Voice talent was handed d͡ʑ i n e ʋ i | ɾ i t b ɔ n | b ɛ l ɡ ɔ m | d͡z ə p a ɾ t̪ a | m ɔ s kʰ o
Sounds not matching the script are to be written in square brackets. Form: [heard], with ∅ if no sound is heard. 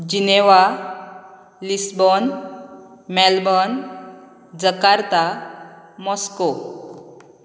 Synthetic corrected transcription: d͡ʑ i n e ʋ [a] | [l] i [s] b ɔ n | [m] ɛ l [b] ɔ [n] | d͡z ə [k] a ɾ t̪ a | m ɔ s [k] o